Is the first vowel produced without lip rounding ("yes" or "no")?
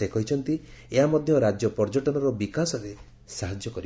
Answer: yes